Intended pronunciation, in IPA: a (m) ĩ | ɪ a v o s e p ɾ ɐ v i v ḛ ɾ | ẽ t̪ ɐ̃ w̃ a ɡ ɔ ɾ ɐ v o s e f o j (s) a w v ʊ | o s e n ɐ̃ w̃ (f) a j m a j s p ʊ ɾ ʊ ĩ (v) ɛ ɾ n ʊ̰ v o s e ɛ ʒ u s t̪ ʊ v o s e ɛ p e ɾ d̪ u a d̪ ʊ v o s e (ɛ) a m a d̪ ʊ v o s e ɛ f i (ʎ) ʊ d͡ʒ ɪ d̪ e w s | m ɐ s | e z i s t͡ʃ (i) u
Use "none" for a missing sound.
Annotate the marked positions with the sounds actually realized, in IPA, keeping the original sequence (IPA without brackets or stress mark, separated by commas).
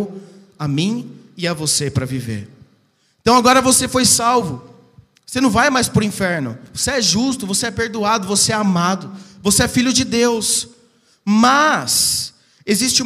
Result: m, s, v, f, ɛ, ʎ, ɪ